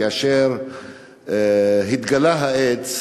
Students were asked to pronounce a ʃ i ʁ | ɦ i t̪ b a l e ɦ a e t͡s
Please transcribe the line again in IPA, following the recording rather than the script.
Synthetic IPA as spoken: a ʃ e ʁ | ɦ i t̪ ɡ a l a ɦ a e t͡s

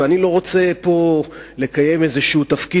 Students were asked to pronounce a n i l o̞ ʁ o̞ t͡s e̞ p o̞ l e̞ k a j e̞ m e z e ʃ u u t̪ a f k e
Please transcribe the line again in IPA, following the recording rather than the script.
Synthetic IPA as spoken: a n i l o̞ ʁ o̞ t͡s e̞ p o̞ l e̞ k a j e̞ m e z e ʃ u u t̪ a f k i

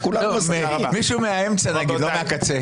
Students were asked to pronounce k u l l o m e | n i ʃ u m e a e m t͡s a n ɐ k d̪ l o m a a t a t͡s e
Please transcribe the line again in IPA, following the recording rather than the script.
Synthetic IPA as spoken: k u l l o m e | m i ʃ u m e a e m t͡s a n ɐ ɡ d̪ l o m e a k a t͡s e

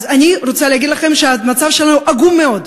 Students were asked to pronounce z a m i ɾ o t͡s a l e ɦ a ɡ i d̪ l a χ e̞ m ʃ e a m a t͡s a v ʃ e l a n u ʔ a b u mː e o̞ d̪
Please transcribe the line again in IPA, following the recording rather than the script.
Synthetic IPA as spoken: z a n i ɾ o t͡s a l e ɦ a ɡ i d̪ l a χ e̞ m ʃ e a m a t͡s a v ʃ e l a n u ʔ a ɡ u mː e o̞ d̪

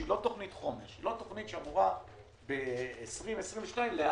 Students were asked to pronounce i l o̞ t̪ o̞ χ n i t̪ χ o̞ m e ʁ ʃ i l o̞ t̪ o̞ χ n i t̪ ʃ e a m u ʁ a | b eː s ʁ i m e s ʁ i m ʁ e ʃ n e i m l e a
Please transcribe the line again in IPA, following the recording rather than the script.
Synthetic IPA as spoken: i l o̞ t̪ o̞ χ n i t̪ χ o̞ m e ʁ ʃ i l o̞ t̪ o̞ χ n i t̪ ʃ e a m u ʁ a | b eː s ʁ i m e s ʁ i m v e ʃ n a i m l e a

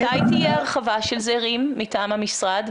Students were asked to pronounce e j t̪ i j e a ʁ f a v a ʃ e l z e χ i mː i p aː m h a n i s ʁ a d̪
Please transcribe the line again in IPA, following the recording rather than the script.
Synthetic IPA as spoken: a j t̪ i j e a ʁ χ a v a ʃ e l z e ʁ i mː i t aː m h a m i s ʁ a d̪

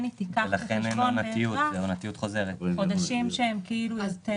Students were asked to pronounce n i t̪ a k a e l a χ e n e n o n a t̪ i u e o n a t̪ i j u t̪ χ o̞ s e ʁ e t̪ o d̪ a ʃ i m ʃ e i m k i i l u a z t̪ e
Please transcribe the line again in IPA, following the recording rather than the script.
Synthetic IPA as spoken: n i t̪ i k a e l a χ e n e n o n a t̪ i u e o n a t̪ i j u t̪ χ o̞ z e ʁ e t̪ o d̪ a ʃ i m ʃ e e m k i i l u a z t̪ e

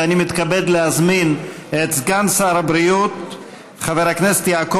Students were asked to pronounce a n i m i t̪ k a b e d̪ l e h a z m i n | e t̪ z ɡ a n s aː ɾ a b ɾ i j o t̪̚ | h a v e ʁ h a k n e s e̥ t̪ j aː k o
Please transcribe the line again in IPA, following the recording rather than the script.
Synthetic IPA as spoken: a n i m i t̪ k a b e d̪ l e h a z m i n | e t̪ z ɡ a n s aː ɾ a b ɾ i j u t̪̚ | χ a v e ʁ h a k n e s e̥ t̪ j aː k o

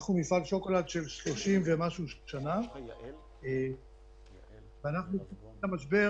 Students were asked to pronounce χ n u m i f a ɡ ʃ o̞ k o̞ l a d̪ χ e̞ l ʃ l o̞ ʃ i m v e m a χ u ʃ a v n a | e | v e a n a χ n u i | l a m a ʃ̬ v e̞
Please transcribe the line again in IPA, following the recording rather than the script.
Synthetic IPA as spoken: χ n u m i f a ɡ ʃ o̞ k o̞ l a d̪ ʃ e̞ l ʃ l o̞ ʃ i m v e m a ʃ u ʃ a n a | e | v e a n a χ n u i | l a m a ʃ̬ b e̞

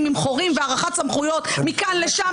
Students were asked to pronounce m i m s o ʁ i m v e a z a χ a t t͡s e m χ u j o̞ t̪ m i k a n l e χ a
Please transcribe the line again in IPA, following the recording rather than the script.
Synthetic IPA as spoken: m i m χ o ʁ i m v e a ʁ a χ a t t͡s a m χ u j o̞ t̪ m i k a n l e ʃ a

